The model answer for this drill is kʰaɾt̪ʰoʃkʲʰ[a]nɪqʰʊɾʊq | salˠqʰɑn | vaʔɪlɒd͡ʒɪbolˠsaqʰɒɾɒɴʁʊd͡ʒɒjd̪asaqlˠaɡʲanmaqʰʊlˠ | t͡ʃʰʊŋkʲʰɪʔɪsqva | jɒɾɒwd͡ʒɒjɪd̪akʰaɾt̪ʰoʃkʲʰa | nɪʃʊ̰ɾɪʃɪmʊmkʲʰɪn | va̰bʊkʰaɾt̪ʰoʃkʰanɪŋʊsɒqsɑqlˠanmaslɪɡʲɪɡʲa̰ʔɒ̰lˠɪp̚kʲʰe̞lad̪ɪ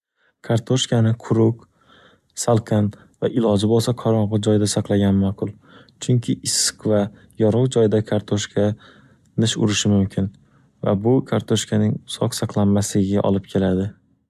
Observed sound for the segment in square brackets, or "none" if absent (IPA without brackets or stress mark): a